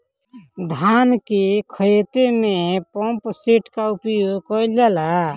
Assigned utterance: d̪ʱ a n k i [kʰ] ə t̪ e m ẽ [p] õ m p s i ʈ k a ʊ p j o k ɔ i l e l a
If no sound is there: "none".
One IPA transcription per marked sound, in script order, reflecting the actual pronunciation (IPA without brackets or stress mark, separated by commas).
kʰ, p